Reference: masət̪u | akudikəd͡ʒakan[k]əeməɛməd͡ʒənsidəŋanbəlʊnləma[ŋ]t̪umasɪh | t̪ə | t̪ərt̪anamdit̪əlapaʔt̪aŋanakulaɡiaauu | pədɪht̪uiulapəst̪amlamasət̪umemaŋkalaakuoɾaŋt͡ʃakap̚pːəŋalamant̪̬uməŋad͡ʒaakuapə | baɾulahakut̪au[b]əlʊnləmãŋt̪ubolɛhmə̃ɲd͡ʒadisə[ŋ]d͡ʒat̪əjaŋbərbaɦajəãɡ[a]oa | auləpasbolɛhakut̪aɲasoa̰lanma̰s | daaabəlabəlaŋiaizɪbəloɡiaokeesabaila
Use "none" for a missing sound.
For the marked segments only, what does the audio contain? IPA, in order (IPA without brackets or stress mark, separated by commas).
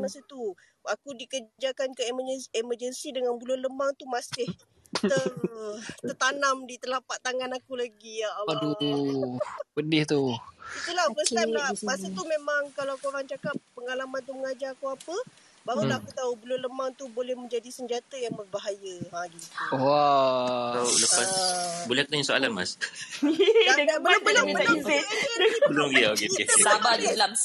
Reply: k, ŋ, b, ɲ, i